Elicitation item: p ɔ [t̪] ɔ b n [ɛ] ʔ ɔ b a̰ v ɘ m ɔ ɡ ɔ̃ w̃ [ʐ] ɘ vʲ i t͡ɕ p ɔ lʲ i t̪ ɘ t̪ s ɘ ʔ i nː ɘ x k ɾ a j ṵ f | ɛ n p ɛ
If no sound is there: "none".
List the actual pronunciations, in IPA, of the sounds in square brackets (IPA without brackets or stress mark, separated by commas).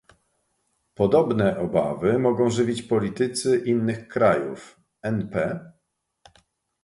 d̪, ɛ, ʐ